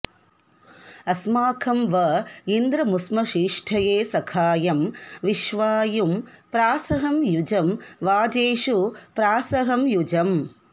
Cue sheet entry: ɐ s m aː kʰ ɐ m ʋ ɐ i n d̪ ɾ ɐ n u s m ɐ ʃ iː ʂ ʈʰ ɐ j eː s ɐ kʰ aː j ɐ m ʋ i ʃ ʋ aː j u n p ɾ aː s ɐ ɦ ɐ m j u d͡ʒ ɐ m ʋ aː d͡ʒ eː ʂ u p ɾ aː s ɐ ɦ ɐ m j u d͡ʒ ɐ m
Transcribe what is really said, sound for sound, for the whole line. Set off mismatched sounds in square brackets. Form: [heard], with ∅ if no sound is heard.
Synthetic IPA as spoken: ɐ s m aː kʰ ɐ m ʋ ɐ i n d̪ ɾ ɐ [m] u s m ɐ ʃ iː ʂ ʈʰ ɐ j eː s ɐ kʰ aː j ɐ m ʋ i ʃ ʋ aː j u [m] p ɾ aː s ɐ ɦ ɐ m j u d͡ʒ ɐ m ʋ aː d͡ʒ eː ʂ u p ɾ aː s ɐ ɦ ɐ m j u d͡ʒ ɐ m